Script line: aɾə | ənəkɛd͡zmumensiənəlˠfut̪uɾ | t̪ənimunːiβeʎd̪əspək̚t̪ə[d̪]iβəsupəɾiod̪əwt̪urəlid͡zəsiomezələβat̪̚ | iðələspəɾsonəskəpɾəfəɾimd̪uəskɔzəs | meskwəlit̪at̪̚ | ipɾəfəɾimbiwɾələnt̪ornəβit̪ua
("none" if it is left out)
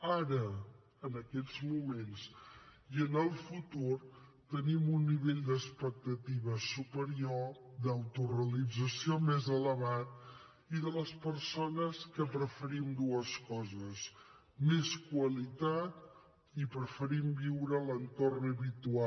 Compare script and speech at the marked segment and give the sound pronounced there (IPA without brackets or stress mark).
t̪